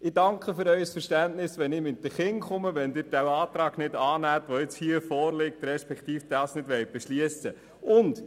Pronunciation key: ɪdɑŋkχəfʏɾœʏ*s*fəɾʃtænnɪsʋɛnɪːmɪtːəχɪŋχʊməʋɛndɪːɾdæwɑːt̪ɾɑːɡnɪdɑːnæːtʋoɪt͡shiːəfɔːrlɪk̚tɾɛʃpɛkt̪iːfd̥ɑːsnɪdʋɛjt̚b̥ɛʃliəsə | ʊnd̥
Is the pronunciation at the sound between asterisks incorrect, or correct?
correct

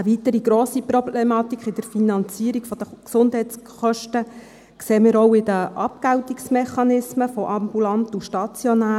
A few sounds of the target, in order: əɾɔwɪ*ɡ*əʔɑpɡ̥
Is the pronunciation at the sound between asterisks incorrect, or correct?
incorrect: d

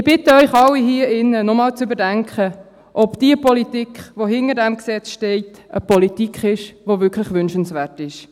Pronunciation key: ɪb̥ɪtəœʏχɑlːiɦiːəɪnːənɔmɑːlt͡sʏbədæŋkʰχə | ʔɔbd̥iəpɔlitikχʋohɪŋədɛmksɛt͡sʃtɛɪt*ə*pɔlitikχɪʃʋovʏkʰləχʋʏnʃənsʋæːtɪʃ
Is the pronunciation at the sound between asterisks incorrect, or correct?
correct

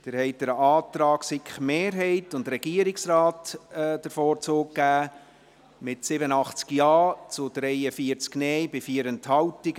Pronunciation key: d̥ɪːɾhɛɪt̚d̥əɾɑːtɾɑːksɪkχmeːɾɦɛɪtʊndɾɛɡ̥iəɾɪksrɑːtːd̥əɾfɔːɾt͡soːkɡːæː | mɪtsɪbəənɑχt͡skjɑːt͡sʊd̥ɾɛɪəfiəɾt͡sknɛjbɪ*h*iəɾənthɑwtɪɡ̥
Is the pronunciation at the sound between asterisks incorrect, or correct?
incorrect: f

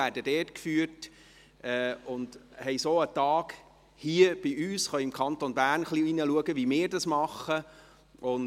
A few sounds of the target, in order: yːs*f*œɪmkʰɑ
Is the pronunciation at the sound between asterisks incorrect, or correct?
incorrect: χ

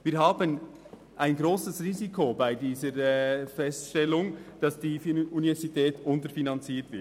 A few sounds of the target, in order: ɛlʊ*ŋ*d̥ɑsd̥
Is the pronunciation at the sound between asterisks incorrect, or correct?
correct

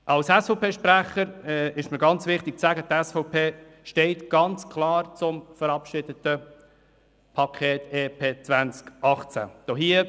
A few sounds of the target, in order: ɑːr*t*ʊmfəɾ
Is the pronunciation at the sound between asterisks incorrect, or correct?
incorrect: t͡s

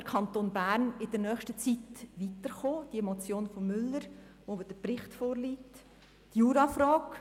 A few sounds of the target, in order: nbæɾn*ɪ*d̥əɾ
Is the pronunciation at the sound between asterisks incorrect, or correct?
correct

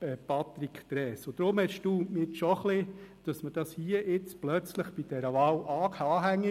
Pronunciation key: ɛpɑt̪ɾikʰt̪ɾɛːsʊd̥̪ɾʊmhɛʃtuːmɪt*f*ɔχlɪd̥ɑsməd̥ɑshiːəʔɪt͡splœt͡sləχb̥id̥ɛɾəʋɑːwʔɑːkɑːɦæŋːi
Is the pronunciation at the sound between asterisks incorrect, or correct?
incorrect: ʃ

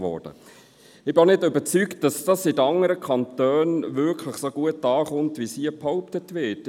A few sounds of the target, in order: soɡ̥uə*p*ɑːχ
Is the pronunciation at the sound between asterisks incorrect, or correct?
incorrect: t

